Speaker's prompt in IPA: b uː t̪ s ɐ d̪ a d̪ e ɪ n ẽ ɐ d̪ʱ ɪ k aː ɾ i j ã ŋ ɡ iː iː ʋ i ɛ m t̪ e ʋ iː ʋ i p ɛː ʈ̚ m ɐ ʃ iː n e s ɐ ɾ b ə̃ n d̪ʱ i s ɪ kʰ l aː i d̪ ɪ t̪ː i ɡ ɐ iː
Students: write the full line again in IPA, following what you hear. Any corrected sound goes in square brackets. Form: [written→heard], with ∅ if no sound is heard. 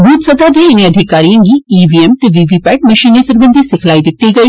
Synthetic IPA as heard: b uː t̪ s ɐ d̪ a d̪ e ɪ n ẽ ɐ d̪ʱ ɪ k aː ɾ i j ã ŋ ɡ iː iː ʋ i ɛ m t̪ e ʋ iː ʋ i p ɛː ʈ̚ m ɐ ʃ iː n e s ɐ ɾ b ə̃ n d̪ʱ i s ɪ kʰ l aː i d̪ ɪ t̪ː i ɡ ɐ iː